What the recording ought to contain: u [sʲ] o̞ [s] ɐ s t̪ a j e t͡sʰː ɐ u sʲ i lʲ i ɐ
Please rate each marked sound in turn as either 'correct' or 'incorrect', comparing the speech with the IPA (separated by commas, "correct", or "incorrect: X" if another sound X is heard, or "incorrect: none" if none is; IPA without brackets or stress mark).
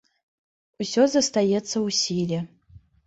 correct, incorrect: z